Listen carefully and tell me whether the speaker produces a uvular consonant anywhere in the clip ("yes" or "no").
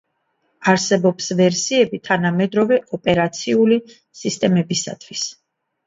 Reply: no